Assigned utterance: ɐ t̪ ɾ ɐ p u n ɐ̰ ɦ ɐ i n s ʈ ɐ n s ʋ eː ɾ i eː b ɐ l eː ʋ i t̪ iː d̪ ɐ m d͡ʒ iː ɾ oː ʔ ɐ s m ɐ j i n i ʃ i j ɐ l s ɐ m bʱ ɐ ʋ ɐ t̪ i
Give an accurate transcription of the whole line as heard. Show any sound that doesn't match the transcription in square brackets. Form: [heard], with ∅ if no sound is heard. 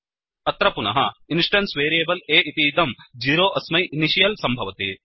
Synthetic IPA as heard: ɐ t̪ ɾ ɐ p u n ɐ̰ ɦ ɐ i n s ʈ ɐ n s ʋ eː ɾ i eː b ɐ l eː [∅] i t̪ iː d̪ ɐ m d͡ʒ iː ɾ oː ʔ ɐ s m ɐ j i n i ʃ i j ɐ l s ɐ m bʱ ɐ ʋ ɐ t̪ i